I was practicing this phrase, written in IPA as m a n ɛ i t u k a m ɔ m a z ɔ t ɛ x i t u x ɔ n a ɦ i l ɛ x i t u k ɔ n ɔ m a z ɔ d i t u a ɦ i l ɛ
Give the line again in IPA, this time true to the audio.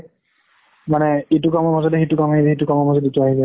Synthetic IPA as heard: m a n ɛ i t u k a m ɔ m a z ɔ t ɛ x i t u k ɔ m a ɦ i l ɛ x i t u k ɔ m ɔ m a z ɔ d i t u a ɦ i l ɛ